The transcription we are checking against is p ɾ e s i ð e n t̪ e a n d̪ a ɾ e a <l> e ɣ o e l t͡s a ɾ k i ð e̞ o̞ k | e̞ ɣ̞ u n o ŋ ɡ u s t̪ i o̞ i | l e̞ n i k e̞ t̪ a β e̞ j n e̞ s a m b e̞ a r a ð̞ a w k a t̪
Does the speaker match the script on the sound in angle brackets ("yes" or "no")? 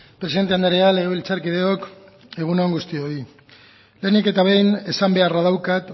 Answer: yes